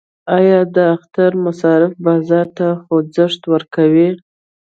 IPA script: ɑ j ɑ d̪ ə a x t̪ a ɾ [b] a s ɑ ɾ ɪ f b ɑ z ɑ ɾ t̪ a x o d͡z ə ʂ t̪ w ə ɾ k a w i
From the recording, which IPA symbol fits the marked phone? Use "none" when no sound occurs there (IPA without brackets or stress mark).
m